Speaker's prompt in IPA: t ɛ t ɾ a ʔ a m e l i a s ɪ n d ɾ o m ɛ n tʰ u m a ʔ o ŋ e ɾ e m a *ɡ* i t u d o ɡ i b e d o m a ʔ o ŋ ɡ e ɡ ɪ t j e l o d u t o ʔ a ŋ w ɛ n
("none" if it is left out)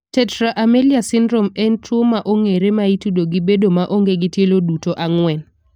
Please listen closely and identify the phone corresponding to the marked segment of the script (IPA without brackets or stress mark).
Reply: none